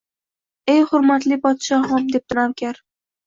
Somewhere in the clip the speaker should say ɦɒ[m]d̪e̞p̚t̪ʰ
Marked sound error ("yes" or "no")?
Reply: no